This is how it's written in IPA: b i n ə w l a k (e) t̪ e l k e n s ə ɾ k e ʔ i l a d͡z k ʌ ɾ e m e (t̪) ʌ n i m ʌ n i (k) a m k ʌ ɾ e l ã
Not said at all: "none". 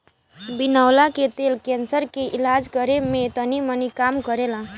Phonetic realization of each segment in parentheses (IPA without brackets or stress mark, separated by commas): e, t̪, k